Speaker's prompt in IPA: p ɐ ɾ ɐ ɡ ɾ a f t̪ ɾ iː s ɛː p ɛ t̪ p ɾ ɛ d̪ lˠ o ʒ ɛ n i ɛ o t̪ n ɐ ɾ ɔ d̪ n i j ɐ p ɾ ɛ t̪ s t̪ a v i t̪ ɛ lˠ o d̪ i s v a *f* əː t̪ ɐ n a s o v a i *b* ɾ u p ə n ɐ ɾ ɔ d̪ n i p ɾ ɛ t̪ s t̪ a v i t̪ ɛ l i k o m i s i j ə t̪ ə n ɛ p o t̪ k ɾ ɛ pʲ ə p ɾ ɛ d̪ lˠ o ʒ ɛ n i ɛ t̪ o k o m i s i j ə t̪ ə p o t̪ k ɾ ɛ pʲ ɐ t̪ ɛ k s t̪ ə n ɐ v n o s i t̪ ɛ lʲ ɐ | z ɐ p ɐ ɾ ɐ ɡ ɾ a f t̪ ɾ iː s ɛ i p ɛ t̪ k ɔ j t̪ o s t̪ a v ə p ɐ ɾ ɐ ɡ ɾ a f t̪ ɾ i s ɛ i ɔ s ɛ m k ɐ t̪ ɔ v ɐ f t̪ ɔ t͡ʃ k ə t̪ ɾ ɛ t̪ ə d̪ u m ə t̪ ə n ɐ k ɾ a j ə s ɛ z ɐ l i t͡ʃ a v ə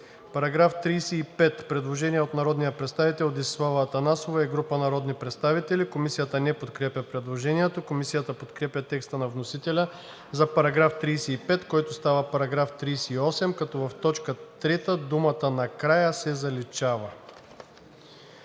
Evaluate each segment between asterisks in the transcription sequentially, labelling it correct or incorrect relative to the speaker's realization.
incorrect: v, incorrect: ɡ

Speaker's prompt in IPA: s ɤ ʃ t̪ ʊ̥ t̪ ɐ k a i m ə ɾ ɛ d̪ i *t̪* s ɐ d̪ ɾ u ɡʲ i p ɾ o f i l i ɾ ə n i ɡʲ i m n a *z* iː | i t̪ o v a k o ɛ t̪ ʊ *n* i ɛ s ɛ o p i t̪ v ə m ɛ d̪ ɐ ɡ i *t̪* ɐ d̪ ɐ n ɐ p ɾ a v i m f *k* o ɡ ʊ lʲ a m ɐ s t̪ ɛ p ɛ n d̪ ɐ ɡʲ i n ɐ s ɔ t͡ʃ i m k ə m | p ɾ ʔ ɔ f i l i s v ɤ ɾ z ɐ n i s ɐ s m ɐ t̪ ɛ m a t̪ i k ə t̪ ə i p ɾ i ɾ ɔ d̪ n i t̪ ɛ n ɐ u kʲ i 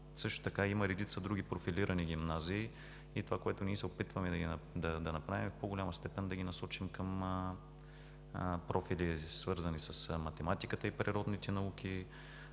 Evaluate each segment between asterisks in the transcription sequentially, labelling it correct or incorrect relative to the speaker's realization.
correct, correct, correct, incorrect: d̪, incorrect: p

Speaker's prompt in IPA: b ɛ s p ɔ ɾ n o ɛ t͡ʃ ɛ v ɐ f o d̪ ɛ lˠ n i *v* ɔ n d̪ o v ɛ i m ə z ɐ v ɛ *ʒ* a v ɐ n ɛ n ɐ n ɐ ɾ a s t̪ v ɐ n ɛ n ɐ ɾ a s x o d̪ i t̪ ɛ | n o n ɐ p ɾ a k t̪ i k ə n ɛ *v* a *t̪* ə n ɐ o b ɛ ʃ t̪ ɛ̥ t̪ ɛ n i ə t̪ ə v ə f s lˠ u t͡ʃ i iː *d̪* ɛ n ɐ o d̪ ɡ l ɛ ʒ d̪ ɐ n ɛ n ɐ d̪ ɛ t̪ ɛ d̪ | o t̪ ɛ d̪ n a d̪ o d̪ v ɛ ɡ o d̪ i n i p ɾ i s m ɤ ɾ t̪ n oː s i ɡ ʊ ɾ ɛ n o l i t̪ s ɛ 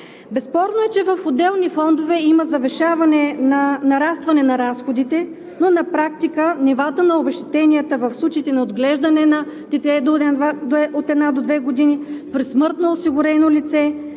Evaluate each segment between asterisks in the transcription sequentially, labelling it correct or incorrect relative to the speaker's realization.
incorrect: f, incorrect: ʃ, correct, correct, incorrect: t̪

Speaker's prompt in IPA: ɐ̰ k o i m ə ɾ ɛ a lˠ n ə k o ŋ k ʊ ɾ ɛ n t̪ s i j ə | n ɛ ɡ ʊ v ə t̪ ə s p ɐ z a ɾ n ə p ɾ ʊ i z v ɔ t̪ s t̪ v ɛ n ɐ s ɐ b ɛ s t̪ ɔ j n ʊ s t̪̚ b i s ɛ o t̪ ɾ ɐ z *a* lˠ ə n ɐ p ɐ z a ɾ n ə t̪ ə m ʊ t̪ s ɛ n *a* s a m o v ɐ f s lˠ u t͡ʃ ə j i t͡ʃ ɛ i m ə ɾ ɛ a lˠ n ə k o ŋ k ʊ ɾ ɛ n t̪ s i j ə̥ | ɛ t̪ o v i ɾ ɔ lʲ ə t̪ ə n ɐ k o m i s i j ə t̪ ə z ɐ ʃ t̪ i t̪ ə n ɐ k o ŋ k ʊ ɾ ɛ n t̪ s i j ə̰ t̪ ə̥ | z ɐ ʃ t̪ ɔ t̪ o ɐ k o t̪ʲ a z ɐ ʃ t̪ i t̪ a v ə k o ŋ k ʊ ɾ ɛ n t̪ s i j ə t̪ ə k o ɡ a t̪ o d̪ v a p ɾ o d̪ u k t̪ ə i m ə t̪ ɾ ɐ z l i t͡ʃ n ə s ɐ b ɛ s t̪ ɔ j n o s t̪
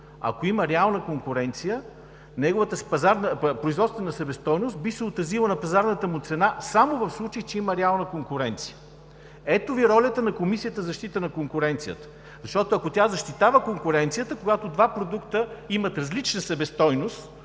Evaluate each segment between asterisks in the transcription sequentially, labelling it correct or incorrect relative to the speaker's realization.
incorrect: i, correct

